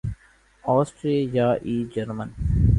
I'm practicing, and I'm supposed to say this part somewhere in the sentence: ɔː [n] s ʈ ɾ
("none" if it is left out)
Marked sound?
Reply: none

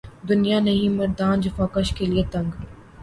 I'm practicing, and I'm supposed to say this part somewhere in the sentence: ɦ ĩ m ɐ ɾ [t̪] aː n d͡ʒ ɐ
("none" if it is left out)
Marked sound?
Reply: d̪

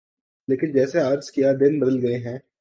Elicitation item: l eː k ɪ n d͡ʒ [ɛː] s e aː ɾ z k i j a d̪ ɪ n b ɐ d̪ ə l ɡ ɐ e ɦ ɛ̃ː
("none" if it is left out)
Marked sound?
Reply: ɛː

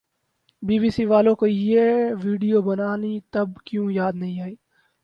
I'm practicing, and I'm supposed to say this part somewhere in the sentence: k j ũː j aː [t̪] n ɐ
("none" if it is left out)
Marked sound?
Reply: d̪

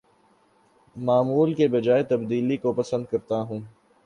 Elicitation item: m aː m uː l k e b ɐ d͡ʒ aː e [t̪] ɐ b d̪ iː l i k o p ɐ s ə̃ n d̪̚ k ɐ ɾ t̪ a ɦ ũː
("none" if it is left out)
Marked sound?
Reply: t̪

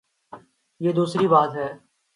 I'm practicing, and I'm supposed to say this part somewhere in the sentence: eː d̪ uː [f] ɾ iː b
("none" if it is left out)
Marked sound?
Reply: s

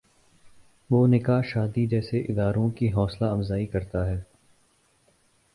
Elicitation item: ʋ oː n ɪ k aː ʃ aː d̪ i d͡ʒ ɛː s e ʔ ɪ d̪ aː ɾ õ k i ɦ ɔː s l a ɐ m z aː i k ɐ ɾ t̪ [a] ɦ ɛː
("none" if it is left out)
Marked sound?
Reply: a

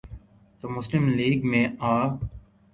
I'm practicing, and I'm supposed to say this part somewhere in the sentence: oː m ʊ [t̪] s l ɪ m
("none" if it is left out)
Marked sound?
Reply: none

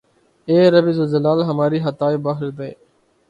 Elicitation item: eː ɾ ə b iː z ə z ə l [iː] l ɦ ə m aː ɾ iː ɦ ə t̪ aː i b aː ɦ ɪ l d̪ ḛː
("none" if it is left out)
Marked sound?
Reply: aː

